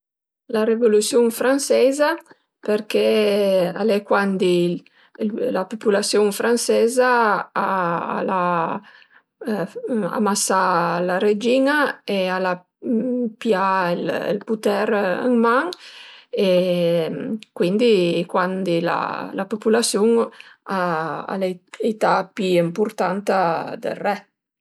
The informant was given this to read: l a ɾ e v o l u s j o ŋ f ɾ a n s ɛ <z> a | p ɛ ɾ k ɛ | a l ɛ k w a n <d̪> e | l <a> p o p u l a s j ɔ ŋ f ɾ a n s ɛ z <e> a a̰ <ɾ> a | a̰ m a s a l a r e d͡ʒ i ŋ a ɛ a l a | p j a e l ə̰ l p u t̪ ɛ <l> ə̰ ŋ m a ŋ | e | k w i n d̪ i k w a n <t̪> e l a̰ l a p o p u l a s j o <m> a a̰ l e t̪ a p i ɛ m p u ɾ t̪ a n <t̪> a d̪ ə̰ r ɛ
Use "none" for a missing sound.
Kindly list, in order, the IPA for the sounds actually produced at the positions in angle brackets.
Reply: z, d̪, a, a, l, ɾ, d̪, ŋ, t̪

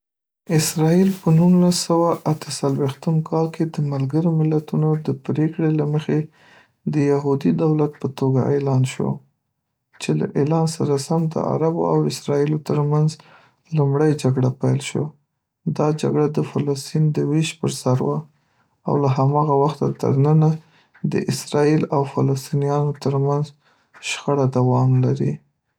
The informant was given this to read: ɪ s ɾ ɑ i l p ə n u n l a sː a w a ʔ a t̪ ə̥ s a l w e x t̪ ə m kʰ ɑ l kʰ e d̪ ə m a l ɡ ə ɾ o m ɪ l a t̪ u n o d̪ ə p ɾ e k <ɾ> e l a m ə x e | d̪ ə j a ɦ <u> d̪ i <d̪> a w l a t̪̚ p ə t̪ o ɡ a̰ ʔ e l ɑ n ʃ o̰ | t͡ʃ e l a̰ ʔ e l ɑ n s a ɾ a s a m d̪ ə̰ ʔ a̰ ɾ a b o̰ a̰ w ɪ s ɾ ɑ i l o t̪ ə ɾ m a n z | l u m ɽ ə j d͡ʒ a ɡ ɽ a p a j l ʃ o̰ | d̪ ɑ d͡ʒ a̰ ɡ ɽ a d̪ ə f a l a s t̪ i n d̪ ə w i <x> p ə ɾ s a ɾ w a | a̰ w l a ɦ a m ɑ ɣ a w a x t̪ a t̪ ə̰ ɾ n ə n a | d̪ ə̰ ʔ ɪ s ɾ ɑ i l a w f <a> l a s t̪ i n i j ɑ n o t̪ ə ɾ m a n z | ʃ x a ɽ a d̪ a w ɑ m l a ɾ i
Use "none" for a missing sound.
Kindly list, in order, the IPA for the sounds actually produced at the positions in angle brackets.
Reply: ɽ, u, d̪, ʃ, a

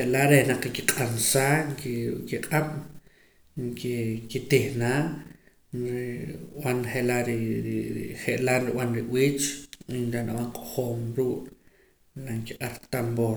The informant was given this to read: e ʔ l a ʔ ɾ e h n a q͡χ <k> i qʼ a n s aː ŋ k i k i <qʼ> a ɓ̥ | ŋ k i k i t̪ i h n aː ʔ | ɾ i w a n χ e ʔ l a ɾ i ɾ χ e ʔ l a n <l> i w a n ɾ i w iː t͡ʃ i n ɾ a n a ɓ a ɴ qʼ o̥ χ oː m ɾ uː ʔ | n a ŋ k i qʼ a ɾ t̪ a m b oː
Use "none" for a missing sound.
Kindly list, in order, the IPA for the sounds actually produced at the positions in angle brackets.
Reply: k, qʼ, ɾ

